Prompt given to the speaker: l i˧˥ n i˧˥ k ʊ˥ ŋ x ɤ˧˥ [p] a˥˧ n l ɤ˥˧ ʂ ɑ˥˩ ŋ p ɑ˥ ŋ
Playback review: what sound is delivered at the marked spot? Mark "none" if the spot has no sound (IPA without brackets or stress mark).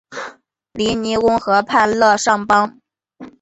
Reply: pʰ